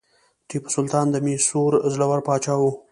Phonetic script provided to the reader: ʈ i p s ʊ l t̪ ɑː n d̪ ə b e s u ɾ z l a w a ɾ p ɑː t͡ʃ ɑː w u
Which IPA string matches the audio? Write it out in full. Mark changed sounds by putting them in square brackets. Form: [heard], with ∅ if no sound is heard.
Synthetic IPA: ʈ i p s ʊ l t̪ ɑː n d̪ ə [m] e s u ɾ z l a w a ɾ p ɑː t͡ʃ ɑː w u